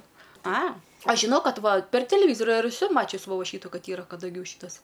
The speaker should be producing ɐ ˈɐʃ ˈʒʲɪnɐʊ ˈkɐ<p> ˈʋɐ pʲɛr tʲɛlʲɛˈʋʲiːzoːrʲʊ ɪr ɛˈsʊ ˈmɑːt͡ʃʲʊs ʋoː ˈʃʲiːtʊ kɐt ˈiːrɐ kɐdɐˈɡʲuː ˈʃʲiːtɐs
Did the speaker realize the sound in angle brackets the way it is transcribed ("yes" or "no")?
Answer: no